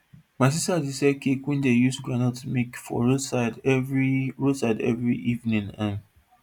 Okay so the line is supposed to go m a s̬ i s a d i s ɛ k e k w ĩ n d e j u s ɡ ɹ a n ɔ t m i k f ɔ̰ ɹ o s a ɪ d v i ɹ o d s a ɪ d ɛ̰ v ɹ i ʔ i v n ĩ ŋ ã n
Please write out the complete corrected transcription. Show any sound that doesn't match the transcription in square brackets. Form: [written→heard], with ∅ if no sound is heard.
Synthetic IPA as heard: m a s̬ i s a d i s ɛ k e k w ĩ n d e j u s ɡ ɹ a n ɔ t m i k f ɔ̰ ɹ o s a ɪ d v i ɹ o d s a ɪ d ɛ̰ v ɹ i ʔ i v n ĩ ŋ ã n